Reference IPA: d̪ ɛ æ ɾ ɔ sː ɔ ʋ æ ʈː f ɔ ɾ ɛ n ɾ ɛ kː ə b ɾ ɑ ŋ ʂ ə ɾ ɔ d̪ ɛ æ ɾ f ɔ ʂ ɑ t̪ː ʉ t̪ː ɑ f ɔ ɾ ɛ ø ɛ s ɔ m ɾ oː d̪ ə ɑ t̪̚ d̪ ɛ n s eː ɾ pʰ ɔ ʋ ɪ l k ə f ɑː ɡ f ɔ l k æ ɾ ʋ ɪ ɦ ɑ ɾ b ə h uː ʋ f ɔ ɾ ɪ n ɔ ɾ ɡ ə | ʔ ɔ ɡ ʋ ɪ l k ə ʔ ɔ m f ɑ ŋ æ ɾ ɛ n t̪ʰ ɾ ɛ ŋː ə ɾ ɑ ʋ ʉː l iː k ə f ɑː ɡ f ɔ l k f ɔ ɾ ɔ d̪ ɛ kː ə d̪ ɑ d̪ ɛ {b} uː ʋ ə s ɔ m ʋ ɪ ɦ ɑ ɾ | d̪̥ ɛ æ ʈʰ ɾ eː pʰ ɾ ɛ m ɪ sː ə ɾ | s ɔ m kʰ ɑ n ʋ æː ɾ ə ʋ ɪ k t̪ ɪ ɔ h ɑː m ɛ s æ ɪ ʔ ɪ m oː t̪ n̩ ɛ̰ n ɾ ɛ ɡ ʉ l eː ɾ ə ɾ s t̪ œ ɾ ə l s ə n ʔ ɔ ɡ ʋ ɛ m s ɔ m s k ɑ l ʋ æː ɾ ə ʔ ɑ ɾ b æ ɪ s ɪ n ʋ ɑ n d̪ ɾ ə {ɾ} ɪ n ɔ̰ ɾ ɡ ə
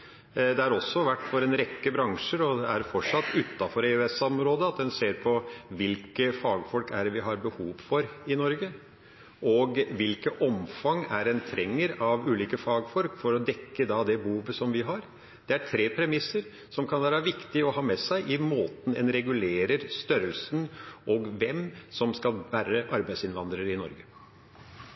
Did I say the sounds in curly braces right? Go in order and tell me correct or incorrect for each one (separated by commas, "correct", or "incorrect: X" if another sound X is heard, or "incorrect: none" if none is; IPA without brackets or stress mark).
correct, correct